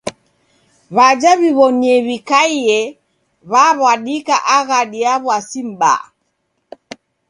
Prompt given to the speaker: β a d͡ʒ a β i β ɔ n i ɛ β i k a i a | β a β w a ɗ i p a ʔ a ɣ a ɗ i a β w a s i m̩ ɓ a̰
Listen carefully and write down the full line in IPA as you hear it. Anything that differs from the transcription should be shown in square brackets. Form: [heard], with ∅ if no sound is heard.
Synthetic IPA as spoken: β a d͡ʒ a β i β ɔ n i ɛ β i k a i [ɛ] | β a β w a ɗ i [k] a ʔ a ɣ a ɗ i a β w a s i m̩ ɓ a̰